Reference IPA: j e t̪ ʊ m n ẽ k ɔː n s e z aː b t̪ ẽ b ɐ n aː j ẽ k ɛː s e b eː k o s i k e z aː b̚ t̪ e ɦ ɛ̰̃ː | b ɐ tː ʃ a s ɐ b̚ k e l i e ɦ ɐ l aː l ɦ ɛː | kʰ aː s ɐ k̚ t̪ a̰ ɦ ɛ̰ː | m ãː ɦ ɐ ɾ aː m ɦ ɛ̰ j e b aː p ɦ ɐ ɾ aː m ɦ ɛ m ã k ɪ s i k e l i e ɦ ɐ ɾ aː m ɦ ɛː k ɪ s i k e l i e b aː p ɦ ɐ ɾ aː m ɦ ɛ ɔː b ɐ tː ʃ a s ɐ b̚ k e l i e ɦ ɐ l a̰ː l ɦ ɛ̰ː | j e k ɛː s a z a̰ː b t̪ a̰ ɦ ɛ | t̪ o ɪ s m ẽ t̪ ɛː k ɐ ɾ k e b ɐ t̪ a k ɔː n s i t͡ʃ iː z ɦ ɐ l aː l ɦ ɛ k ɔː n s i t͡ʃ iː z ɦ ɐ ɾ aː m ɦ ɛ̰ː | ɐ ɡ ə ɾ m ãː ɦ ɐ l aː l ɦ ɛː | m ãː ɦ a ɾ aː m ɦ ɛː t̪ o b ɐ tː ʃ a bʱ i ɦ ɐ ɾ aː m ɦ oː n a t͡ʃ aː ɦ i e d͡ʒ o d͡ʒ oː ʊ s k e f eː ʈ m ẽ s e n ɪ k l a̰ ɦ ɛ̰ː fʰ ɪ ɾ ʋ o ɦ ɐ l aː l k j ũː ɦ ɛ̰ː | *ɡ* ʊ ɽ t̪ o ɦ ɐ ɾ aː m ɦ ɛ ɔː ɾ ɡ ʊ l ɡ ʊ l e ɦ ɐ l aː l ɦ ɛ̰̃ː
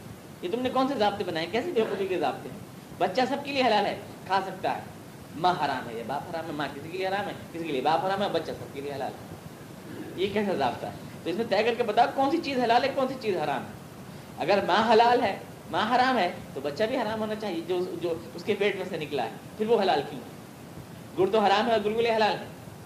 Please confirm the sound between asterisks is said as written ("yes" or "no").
yes